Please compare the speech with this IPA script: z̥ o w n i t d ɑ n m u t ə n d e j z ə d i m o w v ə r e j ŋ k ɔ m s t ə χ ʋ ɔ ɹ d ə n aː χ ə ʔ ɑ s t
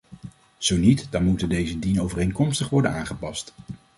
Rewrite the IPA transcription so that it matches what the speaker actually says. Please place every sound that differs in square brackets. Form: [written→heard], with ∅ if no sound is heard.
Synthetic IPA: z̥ o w n i t d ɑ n m u t ə n d e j z ə d i [m→n] o w v ə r e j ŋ k ɔ m s t ə χ ʋ ɔ ɹ d ə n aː χ ə [ʔ→p] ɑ s t